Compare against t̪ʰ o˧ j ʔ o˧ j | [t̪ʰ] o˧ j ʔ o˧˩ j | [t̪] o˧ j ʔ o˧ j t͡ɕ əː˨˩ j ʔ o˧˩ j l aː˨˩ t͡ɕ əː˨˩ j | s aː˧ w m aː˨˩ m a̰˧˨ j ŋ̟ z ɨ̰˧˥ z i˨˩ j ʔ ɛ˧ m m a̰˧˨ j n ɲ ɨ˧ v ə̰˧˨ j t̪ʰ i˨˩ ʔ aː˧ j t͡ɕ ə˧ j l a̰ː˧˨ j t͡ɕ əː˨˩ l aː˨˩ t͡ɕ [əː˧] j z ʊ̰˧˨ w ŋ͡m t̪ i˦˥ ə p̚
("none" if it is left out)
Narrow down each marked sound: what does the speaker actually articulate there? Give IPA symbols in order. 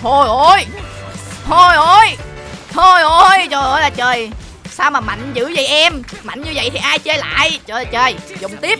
t̪ʰ, t̪ʰ, əː˨˩

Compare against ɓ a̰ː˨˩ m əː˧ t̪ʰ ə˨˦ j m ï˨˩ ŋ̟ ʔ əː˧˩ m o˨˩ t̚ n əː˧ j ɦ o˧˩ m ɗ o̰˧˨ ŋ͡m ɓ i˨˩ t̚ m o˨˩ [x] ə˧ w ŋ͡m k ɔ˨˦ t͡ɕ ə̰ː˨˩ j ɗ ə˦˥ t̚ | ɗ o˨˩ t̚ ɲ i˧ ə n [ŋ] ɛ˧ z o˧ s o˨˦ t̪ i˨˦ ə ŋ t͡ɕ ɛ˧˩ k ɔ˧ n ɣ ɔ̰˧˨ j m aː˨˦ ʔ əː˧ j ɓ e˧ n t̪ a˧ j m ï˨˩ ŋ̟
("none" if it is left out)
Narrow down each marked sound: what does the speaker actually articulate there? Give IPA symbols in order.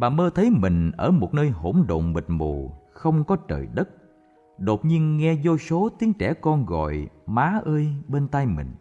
x, ŋ

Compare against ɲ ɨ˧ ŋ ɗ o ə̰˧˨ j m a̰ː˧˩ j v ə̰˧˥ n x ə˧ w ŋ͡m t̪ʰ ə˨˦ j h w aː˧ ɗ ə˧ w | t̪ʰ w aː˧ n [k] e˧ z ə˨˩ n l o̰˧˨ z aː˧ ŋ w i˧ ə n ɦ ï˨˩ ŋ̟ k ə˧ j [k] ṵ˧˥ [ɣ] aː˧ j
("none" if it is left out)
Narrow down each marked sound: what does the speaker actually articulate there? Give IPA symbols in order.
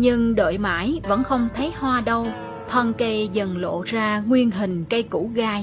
k, k, ɣ

